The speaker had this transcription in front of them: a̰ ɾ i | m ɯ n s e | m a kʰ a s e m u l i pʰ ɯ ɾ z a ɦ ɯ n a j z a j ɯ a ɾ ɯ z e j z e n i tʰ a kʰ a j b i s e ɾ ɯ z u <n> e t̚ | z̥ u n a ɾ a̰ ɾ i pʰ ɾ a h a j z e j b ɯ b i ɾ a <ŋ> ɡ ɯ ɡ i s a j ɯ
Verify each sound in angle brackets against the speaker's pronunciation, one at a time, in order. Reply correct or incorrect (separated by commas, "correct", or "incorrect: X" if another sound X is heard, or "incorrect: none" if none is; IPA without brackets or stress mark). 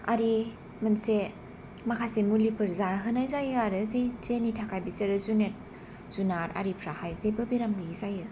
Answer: correct, incorrect: m